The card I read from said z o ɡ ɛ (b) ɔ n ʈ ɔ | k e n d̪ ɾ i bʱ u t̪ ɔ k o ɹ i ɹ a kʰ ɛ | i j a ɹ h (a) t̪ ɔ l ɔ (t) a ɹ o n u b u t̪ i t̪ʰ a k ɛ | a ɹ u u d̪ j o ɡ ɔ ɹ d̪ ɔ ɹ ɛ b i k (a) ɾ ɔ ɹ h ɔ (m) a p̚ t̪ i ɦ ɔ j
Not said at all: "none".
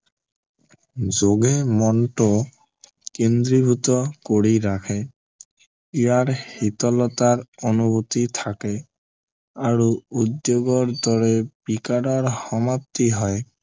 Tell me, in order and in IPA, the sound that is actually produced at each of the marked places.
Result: m, i, t, a, m

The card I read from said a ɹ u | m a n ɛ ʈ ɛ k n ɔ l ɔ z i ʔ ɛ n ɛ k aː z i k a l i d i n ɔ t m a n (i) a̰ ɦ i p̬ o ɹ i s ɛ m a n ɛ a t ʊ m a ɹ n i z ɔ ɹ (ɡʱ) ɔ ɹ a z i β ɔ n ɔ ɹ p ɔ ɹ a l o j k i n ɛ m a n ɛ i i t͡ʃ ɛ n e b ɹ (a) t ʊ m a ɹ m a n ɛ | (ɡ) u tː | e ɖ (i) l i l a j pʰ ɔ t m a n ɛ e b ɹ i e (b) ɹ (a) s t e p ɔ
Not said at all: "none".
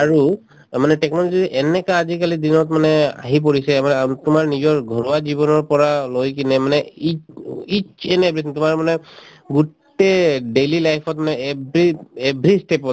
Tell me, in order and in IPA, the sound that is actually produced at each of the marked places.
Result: ɛ, ɡʱ, i, ɡ, e, b, i

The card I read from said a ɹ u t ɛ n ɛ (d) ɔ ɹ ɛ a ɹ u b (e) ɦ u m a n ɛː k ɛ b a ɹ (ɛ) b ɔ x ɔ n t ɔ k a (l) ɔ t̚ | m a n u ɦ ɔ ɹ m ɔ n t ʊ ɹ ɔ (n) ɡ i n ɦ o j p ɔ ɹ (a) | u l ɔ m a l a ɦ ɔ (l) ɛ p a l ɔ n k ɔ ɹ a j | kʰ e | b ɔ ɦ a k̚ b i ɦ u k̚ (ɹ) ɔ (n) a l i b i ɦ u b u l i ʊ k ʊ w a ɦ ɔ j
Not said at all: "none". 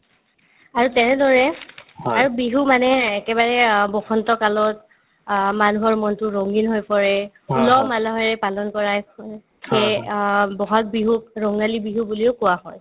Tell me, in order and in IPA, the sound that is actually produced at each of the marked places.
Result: d, i, ɛ, l, ŋ, ɛ, ɹ, ɹ, ŋ

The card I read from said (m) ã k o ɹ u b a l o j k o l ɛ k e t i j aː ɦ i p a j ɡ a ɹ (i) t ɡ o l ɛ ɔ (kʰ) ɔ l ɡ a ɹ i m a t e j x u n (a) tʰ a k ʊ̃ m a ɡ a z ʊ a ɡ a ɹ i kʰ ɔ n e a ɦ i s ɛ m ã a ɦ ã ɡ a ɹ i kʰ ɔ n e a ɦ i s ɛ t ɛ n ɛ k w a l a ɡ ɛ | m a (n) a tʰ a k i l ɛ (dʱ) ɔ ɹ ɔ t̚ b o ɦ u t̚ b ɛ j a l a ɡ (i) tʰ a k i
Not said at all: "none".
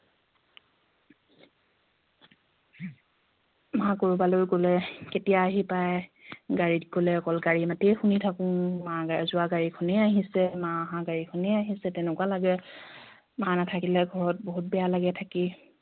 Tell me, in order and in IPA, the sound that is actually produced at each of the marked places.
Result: m, i, k, i, n, ɡʱ, ɛ

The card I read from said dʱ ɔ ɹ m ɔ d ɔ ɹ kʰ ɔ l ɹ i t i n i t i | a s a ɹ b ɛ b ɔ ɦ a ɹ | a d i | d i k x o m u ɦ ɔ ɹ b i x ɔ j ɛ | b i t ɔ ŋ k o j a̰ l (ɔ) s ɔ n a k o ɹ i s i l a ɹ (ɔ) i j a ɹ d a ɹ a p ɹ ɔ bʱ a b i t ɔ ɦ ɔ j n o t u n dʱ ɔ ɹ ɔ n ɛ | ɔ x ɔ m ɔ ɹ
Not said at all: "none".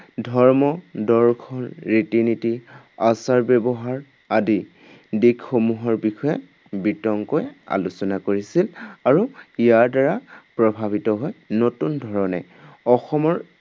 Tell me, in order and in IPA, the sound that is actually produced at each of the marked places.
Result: u, u

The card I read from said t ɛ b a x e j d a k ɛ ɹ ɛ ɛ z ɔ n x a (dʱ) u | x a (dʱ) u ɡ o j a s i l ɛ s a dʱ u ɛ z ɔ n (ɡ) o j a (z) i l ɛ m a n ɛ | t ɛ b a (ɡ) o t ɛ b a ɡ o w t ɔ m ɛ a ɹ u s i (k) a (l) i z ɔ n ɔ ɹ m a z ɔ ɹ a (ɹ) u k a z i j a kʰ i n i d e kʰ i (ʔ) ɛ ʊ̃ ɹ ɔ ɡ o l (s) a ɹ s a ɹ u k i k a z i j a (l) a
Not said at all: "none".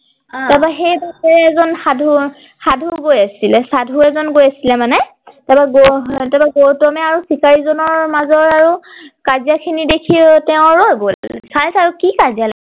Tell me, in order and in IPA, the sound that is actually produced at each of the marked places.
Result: dʱ, dʱ, ɡ, s, ɡ, k, ɹ, ɹ, t, s, l

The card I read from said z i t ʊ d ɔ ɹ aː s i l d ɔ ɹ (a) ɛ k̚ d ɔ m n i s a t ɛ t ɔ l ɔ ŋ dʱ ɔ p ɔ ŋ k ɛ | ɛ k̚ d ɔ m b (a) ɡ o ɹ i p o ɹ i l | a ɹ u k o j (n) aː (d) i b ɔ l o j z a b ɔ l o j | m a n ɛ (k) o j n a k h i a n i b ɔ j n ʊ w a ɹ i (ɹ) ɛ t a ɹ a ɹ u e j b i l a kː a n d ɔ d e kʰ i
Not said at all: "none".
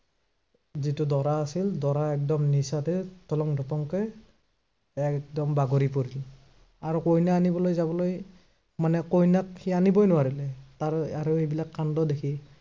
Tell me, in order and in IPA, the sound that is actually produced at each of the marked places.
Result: a, a, n, n, k, l

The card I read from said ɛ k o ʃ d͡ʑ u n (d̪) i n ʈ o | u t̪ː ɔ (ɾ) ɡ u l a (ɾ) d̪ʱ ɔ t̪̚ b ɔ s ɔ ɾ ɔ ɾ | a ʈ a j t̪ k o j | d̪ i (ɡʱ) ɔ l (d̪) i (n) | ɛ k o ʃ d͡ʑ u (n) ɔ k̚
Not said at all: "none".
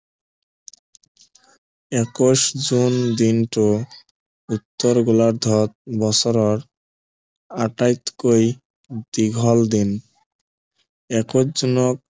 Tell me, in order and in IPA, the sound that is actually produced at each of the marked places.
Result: d̪, ɾ, ɾ, ɡʱ, d̪, n, n

